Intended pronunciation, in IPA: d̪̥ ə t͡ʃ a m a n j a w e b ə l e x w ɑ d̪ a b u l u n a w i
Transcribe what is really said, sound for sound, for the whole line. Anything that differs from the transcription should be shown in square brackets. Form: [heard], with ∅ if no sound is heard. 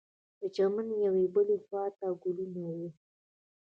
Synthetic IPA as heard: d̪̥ ə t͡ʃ a m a n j a w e b ə l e x w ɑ [t̪] a [ɡ] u l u n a w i